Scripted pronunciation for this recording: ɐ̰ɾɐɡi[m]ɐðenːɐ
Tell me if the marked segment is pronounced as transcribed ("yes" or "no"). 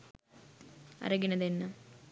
no